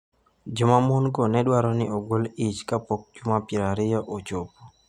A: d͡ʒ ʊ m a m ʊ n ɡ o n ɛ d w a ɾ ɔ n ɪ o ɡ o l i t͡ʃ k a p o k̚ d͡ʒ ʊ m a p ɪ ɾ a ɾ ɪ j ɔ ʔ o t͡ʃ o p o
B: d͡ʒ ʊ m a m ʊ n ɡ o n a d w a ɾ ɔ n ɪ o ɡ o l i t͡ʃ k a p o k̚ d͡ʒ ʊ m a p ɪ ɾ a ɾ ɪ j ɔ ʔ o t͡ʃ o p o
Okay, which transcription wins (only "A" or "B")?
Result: A